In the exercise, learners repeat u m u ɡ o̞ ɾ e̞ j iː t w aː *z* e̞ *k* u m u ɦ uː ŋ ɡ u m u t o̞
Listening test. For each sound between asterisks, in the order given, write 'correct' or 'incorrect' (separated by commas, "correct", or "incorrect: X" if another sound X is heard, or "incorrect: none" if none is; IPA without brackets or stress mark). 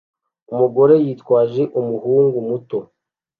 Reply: incorrect: ʒ, incorrect: ʔ